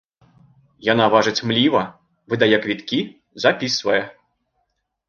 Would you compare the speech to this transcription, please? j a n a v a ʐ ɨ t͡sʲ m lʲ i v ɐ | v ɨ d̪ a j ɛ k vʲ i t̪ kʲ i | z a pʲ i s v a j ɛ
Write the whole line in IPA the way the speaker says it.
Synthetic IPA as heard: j a n a v a ʐ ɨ t͡sʲ m lʲ i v ɐ | v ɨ d̪ a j ɛ k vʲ i t̪ kʲ i | z a pʲ i s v ɐ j ɛ